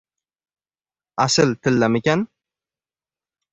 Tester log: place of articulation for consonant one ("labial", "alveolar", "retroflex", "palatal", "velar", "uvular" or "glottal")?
alveolar